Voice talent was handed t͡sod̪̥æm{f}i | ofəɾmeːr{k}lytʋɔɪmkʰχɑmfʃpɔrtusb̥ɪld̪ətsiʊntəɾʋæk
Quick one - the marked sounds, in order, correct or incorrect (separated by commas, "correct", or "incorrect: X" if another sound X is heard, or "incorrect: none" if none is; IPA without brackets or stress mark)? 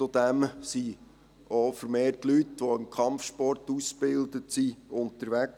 incorrect: s, incorrect: t